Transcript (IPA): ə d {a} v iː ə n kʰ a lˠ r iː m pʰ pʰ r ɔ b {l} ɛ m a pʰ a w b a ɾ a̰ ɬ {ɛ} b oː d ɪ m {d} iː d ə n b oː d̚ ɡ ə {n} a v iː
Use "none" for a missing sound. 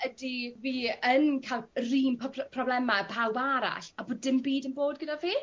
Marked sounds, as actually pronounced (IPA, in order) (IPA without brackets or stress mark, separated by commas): i, l, a, b, d